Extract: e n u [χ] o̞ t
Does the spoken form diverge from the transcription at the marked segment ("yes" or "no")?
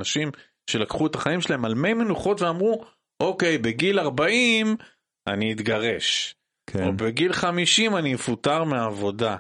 no